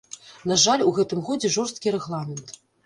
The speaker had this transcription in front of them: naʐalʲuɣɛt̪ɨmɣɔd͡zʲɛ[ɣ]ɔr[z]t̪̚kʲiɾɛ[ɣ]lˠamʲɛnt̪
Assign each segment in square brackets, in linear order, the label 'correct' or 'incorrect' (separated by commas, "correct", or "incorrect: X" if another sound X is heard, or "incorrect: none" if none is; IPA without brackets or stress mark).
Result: incorrect: ʐ, incorrect: s, correct